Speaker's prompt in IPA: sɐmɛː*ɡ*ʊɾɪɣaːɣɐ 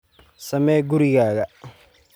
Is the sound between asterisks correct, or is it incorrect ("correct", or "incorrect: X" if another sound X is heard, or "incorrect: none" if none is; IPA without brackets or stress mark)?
correct